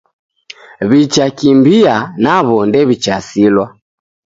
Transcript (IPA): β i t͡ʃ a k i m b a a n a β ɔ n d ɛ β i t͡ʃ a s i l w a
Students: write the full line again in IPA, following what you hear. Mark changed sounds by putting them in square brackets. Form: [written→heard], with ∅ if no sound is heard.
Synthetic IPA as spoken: β i t͡ʃ a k i m b [a→i] a n a β ɔ n d ɛ β i t͡ʃ a s i l w a